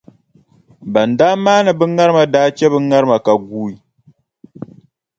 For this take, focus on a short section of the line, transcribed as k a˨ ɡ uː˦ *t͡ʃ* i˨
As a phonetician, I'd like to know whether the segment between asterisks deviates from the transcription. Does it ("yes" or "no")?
yes